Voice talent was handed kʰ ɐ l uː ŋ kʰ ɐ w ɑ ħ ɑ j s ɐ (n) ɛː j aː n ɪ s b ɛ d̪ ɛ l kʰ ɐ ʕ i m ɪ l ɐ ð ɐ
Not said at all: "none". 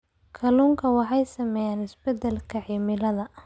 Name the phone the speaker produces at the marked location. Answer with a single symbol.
m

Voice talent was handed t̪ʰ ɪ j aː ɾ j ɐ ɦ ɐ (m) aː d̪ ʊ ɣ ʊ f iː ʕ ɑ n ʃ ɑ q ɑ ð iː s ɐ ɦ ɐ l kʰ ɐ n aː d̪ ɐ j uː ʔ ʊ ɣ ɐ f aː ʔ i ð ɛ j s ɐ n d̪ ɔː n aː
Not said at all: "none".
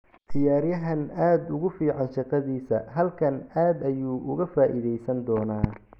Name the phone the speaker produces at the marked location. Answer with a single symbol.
n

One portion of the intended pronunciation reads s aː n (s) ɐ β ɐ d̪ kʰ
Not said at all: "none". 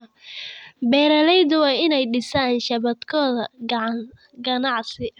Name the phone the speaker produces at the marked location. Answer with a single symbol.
ʃ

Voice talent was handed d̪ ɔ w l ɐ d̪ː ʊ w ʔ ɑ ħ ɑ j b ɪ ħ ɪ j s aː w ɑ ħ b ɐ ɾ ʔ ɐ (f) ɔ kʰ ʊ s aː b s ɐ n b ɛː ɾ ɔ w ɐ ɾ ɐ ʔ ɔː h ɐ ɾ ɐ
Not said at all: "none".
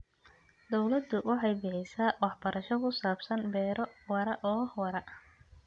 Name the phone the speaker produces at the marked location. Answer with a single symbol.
ʃ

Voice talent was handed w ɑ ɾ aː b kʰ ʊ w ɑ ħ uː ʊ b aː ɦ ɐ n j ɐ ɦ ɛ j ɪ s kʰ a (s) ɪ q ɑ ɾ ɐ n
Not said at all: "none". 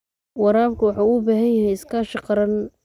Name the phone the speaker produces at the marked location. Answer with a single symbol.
ʃ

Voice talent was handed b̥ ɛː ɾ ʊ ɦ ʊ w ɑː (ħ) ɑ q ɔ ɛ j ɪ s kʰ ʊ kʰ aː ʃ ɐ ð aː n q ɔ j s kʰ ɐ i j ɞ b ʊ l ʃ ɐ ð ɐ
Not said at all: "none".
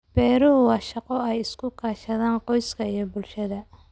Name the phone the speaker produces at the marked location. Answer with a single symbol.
ʃ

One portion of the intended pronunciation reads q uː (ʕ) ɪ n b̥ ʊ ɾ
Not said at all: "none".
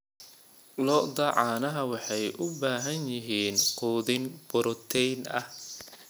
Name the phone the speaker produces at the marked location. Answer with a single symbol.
ð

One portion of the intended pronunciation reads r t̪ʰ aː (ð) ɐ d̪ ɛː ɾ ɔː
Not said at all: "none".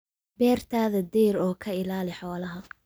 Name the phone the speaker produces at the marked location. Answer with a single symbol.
ð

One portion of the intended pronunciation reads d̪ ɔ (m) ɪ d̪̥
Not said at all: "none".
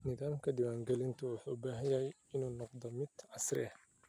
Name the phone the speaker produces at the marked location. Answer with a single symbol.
m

